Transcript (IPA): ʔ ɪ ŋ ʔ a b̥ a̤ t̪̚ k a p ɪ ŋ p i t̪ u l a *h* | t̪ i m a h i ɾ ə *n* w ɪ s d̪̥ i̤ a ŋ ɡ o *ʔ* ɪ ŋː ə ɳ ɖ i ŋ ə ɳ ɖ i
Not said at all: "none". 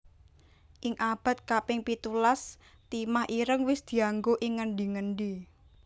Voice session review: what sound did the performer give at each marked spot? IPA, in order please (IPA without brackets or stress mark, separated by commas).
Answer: s, ŋ, ʔ